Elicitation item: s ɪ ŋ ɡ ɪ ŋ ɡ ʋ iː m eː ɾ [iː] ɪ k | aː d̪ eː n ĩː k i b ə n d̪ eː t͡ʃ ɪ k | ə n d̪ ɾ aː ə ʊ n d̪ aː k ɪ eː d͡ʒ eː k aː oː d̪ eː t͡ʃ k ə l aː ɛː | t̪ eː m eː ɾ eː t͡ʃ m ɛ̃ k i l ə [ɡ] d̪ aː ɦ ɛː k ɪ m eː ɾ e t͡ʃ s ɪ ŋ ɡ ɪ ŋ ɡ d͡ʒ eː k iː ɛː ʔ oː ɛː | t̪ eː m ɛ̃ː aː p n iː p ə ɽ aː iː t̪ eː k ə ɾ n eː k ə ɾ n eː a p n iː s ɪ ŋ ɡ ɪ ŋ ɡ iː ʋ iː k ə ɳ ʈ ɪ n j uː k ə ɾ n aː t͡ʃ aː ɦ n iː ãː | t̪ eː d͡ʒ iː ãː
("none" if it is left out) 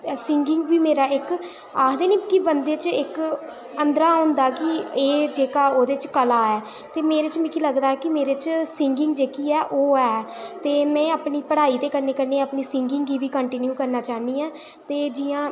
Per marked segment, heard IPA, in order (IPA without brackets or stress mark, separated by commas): aː, ɡ